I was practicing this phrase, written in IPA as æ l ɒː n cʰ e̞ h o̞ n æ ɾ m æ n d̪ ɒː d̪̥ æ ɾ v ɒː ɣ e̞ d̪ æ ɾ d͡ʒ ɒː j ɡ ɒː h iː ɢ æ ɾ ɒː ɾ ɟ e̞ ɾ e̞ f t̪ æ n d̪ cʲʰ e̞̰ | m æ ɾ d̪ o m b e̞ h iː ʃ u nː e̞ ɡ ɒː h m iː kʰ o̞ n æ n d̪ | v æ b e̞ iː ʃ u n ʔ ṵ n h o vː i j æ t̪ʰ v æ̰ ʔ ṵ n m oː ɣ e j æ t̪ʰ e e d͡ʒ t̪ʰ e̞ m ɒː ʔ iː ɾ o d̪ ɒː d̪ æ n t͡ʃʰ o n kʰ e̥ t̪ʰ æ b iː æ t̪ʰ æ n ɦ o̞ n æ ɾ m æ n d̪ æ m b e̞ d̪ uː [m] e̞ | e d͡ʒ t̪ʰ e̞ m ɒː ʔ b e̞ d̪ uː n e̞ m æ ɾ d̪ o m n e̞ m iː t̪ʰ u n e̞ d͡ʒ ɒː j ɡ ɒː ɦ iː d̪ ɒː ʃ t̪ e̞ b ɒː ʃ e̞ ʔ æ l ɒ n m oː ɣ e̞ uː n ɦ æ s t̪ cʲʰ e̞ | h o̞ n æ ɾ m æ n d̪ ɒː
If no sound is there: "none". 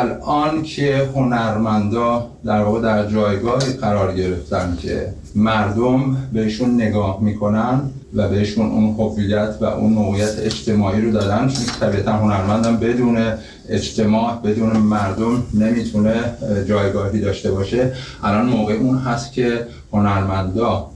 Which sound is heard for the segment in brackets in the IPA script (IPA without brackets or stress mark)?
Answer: n